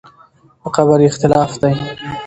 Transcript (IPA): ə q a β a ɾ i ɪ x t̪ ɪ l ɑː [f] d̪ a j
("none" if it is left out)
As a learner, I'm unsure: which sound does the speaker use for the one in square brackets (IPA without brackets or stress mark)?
f